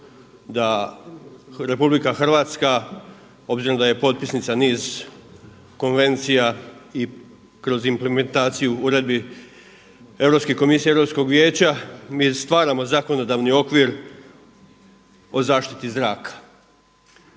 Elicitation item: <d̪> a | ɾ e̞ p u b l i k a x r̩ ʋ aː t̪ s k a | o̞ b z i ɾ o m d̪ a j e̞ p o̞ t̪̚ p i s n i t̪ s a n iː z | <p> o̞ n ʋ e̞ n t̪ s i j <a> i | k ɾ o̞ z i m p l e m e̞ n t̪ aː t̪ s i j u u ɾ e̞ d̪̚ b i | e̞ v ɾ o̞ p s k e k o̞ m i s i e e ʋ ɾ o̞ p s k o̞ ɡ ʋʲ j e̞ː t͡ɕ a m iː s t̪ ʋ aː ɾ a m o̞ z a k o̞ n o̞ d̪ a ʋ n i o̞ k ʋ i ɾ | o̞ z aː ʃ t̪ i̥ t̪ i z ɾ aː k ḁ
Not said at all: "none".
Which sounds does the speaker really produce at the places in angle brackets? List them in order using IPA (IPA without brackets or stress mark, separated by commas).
d̪, k, a